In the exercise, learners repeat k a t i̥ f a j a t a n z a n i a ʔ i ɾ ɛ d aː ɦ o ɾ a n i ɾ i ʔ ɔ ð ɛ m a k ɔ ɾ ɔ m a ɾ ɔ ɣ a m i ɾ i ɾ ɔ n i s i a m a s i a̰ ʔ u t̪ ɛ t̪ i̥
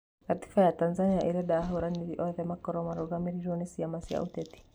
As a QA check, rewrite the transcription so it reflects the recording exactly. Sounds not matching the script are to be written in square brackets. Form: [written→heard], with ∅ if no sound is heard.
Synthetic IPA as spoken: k a t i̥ f a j a t a n z a n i a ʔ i ɾ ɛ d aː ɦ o ɾ a n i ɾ i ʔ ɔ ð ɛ m a k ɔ ɾ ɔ m a ɾ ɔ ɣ a m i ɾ i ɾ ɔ n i s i a m a s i a̰ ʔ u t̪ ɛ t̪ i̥